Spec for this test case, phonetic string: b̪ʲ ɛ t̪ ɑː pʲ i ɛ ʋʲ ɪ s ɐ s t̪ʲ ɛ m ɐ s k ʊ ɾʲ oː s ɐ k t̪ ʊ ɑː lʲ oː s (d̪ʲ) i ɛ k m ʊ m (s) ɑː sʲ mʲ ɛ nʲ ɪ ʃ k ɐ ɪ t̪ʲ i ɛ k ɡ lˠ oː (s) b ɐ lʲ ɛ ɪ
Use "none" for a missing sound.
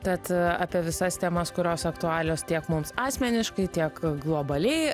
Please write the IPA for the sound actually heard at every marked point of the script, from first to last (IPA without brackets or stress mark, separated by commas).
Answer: t̪ʲ, s, none